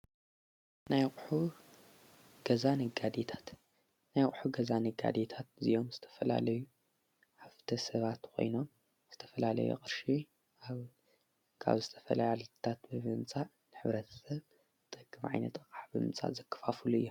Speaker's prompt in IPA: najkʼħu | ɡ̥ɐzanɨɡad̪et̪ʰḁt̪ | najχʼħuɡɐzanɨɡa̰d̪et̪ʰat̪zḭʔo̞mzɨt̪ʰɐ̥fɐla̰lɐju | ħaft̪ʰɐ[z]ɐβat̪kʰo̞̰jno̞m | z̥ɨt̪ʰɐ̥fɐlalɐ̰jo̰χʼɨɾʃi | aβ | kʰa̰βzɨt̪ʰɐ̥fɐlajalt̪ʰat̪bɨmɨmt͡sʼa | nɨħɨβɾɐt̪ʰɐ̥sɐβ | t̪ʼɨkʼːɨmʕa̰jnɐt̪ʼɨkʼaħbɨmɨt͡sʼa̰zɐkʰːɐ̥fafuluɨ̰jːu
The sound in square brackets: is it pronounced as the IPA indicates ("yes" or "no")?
no